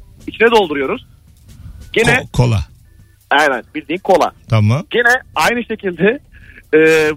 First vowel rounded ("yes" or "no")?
no